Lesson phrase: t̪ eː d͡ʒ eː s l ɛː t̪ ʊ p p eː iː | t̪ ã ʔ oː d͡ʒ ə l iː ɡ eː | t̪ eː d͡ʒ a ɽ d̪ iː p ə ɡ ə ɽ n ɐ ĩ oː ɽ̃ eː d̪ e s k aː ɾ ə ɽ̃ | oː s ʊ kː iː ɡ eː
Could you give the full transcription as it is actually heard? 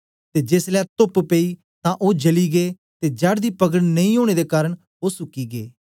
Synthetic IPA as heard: t̪ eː d͡ʒ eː s l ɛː t̪ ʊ p p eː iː | t̪ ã ʔ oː d͡ʒ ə l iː ɡ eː | t̪ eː d͡ʒ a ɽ d̪ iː p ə ɡ ə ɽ n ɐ ĩ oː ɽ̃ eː d̪ e k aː ɾ ə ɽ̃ | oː s ʊ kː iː ɡ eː